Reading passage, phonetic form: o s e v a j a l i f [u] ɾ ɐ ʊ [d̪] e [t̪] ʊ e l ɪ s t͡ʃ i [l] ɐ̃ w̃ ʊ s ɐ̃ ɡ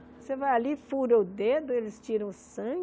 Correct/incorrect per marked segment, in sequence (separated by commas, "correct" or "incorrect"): correct, correct, incorrect, incorrect